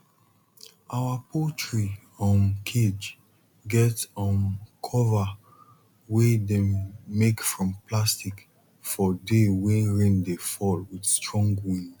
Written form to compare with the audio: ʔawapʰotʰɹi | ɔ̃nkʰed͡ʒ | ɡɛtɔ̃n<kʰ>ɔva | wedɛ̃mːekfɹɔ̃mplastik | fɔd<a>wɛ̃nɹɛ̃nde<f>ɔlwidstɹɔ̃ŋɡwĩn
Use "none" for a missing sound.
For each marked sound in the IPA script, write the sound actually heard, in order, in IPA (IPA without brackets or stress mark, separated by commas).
kʰ, e, f